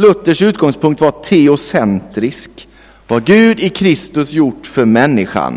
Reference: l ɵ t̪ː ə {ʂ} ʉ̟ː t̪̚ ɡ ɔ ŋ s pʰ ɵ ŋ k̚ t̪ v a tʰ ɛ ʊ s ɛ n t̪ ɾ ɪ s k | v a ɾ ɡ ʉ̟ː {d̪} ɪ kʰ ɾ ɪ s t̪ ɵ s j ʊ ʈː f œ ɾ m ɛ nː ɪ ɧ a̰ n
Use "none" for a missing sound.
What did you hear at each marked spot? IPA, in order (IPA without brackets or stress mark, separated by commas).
ʂ, d̪